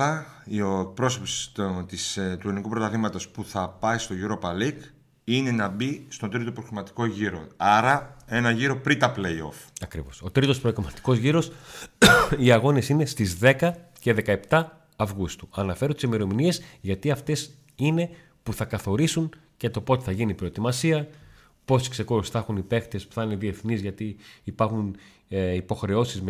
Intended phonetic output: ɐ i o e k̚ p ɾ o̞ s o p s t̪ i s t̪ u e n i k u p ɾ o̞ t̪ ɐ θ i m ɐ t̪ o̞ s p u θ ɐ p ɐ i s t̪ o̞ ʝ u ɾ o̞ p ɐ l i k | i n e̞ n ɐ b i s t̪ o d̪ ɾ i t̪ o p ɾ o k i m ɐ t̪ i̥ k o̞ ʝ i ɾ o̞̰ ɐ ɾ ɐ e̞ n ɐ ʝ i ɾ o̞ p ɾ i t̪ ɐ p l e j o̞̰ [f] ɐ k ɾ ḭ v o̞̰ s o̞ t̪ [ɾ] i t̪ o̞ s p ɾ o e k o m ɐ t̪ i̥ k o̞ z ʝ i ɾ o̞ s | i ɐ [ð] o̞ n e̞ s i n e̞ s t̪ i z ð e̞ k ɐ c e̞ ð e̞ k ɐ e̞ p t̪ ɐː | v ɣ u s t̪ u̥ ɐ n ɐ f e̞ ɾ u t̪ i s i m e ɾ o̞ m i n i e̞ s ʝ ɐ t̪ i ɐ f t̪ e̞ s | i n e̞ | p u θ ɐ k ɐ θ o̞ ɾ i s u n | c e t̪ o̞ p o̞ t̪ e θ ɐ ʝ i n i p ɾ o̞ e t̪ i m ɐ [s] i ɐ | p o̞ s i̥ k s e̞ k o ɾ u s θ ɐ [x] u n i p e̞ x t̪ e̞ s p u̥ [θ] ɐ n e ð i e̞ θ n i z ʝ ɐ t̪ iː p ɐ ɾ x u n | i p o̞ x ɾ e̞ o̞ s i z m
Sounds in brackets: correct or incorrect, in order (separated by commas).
correct, correct, incorrect, correct, correct, correct